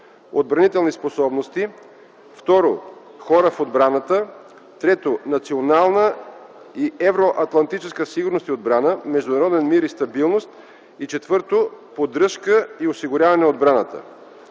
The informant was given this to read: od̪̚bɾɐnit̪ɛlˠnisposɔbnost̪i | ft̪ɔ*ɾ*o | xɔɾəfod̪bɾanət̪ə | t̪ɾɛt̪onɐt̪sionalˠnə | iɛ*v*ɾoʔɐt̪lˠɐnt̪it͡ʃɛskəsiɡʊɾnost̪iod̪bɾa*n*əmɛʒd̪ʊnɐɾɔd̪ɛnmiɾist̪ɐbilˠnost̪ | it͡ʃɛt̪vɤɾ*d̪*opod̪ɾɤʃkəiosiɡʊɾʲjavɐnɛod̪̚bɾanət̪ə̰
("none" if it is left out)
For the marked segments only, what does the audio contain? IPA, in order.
ɾ, v, n, t̪

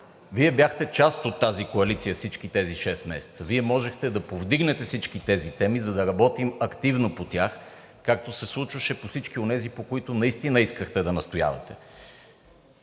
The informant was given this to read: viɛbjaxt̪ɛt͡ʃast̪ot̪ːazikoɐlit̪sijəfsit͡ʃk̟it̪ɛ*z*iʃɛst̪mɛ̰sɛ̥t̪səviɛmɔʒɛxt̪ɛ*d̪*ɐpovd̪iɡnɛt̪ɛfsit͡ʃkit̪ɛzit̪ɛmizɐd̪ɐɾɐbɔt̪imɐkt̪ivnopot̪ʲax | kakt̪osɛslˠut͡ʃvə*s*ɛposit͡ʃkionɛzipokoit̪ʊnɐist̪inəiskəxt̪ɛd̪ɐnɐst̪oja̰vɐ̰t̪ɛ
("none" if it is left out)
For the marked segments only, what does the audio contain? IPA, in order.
z, d̪, ʃ

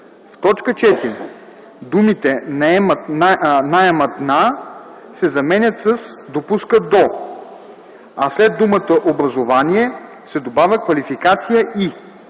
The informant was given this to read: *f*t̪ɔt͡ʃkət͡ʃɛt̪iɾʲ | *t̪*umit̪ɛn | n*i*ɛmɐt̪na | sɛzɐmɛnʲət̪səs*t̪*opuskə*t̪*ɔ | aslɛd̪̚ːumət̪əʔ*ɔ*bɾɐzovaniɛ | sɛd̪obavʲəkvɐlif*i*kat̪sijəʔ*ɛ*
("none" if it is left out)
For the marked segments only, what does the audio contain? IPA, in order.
f, d̪, a, d̪, d̪, o, i, i

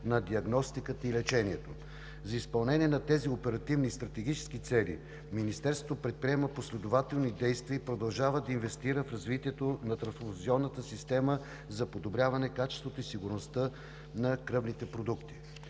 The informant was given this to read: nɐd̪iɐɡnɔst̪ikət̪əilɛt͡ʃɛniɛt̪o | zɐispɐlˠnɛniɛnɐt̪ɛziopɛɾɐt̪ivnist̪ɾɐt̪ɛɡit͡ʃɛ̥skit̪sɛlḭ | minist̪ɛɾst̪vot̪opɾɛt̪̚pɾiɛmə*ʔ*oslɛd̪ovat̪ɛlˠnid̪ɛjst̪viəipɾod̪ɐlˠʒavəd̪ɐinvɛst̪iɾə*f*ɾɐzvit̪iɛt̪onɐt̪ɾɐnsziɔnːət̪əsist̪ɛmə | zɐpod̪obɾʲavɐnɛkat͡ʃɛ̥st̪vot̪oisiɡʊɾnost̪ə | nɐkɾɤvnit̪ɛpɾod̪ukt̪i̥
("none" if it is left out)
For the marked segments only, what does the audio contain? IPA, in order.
p, f

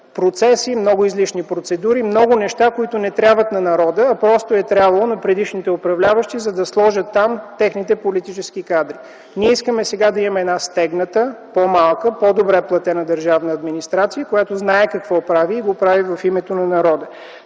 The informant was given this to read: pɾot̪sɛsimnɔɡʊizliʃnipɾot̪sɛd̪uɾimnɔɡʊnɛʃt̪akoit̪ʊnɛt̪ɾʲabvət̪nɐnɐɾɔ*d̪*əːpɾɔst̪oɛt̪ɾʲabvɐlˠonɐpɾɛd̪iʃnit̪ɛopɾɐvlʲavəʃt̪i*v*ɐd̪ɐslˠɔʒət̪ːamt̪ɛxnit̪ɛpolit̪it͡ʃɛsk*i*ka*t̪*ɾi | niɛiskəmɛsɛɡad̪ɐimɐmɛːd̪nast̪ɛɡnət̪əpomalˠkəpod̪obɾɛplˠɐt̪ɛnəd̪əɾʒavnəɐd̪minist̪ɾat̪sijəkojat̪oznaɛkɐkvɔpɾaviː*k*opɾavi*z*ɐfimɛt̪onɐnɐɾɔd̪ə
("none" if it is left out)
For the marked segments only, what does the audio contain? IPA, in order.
d̪, z, i, d̪, ɡ, v

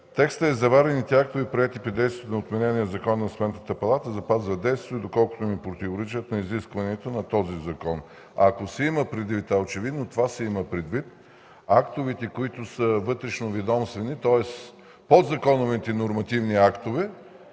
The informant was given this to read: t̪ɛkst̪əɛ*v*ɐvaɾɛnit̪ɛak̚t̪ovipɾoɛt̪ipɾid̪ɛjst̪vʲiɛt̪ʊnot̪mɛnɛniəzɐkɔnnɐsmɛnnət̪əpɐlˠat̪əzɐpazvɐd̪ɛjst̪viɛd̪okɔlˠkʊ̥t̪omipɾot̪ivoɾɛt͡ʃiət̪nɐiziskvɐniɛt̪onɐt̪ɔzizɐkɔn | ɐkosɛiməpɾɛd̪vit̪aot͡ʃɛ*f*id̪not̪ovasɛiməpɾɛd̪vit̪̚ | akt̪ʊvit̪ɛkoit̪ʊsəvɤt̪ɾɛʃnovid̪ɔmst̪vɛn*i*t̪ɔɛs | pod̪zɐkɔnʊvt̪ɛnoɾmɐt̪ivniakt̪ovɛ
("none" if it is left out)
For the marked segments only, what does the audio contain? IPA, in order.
z, v, i

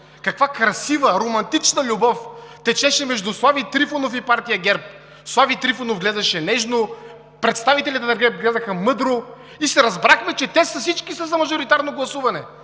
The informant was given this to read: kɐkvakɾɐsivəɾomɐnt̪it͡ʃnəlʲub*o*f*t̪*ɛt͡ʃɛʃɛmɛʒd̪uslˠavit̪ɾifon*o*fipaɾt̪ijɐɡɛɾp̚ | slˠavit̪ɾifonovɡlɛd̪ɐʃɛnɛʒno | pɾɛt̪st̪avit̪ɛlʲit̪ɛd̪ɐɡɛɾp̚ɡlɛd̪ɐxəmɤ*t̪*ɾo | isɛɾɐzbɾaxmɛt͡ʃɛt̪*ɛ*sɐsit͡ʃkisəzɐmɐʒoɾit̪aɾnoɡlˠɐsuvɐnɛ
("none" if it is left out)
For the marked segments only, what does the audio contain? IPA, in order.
ɔ, t̪, o, d̪, ɛ

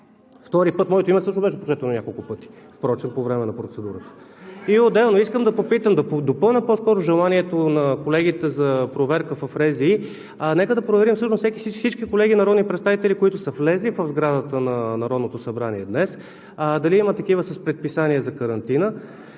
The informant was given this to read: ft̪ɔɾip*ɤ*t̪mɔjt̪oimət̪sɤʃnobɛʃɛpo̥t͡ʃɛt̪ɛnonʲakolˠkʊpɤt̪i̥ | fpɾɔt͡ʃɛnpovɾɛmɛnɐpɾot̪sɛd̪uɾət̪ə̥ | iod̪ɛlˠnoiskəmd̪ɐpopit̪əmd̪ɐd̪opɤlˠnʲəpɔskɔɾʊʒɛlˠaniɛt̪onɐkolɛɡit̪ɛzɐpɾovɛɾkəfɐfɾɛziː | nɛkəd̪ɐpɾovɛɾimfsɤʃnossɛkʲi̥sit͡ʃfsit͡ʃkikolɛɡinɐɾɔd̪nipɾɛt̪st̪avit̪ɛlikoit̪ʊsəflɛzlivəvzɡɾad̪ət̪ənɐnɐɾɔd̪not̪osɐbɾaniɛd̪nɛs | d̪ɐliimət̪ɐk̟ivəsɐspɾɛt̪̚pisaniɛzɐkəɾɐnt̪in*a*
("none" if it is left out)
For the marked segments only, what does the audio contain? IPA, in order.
ɤ, ə

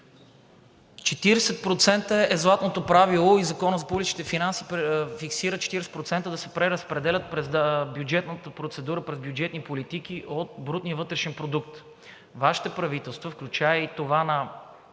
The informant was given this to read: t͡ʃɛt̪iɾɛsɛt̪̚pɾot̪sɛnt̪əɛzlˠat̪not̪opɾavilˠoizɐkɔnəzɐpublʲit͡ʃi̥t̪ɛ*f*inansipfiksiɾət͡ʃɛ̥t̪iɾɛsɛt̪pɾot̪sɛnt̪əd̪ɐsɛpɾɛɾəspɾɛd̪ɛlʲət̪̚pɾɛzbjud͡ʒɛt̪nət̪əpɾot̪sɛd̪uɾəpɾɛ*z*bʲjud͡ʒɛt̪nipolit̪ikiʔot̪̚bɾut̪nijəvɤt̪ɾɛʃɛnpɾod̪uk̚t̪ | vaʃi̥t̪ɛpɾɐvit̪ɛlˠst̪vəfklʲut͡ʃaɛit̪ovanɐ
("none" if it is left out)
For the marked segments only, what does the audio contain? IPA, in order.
f, z

